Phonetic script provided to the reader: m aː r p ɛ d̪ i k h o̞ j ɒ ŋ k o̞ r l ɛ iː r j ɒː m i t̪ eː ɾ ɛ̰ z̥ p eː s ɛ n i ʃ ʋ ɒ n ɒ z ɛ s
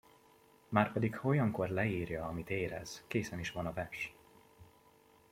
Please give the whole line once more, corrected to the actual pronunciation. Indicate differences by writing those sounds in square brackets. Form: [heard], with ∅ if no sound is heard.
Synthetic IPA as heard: m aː r p ɛ d̪ i k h o̞ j ɒ ŋ k o̞ r l ɛ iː r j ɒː m i t̪ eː ɾ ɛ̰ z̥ [k] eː s ɛ n i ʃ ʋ ɒ n ɒ [v] ɛ [ʃ]